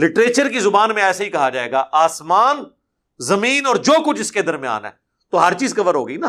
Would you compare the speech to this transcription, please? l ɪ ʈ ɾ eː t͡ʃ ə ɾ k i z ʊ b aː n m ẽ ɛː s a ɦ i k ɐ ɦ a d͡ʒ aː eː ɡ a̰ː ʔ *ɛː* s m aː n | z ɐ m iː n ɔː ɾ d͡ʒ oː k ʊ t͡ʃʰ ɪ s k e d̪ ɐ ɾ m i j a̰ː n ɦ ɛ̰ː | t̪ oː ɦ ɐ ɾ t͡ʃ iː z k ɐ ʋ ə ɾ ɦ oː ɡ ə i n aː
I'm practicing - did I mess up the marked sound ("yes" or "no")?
yes